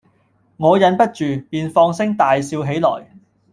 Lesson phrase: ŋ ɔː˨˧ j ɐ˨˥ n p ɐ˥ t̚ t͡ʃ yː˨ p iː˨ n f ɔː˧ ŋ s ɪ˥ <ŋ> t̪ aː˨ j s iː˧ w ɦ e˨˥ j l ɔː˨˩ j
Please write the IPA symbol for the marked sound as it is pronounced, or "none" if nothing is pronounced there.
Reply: ŋ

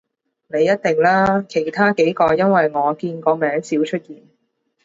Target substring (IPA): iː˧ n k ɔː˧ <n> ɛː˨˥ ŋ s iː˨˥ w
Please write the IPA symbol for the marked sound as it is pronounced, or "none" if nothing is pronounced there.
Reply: m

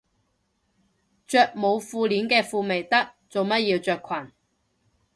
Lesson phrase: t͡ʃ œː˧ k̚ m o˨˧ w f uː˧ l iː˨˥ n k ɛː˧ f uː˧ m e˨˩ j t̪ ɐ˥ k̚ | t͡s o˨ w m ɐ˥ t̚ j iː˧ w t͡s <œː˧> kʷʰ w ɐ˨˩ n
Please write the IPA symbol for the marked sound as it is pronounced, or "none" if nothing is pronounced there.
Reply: œː˧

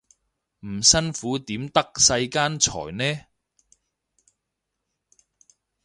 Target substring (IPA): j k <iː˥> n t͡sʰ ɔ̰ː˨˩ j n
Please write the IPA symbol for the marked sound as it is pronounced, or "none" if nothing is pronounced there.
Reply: aː˥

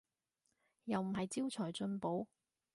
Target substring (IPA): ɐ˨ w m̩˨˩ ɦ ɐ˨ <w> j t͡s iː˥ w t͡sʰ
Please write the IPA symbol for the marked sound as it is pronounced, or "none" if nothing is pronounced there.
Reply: none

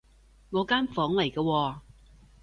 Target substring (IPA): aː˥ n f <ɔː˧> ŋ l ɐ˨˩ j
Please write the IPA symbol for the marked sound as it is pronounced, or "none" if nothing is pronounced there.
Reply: ɔː˨˥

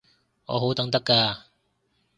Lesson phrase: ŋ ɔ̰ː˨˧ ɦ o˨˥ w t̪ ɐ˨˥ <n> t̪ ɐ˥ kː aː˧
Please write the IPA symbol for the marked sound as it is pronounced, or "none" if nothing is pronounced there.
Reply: ŋ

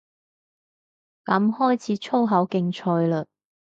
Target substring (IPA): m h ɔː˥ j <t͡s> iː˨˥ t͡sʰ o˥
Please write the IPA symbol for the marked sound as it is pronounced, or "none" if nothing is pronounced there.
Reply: t͡sʰ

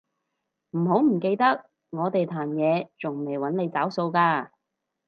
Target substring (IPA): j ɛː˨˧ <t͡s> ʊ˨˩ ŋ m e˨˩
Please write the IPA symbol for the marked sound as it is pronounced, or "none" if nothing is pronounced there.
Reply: t͡s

